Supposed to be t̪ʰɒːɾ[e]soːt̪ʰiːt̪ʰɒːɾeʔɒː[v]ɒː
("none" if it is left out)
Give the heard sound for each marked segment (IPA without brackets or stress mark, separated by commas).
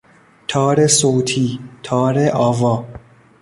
e, v